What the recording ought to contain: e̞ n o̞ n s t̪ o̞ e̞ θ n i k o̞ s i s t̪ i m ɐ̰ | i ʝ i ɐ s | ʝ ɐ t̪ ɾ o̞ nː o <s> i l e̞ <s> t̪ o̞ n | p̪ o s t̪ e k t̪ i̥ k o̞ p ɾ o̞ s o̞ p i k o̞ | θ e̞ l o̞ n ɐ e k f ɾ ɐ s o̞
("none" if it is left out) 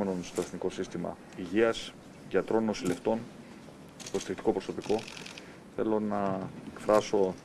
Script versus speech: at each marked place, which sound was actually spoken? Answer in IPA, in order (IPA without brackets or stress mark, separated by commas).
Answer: s, f